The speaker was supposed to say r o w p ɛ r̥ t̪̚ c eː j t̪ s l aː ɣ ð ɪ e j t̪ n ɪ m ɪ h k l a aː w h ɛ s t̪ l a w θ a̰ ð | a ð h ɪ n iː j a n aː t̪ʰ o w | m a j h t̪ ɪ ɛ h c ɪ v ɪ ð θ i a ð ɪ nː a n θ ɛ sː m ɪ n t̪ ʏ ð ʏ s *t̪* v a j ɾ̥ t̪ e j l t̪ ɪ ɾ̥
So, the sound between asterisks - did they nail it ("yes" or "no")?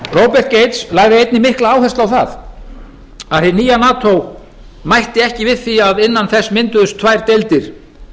no